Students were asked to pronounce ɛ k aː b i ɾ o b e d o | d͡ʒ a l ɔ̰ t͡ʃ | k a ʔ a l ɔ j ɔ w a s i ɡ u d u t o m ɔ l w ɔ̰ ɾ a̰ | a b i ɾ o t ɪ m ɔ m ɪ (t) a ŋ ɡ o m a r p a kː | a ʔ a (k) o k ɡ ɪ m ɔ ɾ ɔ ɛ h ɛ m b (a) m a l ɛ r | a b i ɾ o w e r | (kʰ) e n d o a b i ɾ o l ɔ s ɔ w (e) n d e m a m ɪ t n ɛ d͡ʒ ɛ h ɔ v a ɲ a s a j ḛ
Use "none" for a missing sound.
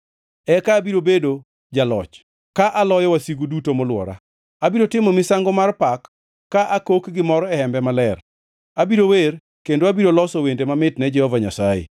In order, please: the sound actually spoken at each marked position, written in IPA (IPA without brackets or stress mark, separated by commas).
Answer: s, k, ɛ, k, e